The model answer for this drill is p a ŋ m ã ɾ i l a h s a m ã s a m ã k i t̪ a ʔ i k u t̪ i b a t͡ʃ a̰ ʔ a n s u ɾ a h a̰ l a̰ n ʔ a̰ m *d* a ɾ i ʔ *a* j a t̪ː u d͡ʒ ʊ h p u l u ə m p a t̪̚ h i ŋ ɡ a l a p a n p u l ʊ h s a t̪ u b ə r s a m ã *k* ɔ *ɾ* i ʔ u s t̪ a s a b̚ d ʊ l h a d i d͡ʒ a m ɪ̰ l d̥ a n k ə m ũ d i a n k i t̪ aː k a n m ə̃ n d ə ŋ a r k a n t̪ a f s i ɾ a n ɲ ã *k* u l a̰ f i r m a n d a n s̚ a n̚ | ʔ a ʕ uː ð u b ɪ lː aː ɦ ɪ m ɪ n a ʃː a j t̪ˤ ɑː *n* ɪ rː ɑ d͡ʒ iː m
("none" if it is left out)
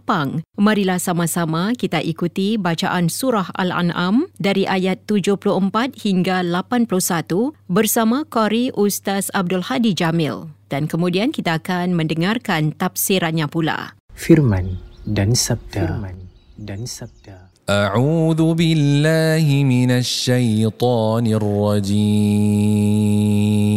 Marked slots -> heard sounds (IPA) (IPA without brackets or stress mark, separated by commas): d, a, k, ɾ, p, n